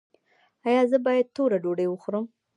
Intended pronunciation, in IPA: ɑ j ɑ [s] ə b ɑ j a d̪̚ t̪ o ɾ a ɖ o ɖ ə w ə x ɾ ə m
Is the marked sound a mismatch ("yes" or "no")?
yes